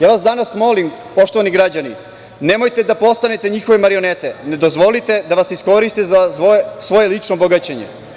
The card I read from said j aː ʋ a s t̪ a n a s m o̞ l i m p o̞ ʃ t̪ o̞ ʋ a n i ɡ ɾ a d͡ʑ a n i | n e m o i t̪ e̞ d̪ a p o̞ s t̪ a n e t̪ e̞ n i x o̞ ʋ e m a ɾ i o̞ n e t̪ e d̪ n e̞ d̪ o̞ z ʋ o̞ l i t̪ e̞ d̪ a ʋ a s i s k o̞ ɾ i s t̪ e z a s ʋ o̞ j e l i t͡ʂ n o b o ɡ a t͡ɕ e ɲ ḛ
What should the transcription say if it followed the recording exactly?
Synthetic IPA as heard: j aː ʋ a s d̪ a n a s m o̞ l i m p o̞ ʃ t̪ o̞ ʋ a n i ɡ ɾ a d͡ʑ a n i | n e m o j t̪ e̞ d̪ a p o̞ s t̪ a n e t̪ e̞ ɲ i x o̞ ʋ e m a ɾ i o̞ n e t̪ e n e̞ d̪ o̞ z ʋ o̞ l i t̪ e̞ d̪ a ʋ a s i s k o̞ ɾ i s t̪ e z a s ʋ o̞ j e l i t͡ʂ n o b o ɡ a t͡ɕ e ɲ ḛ